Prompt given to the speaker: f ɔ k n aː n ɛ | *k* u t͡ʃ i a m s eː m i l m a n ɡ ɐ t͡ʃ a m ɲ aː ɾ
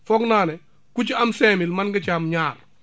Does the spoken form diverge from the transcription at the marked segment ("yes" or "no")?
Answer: no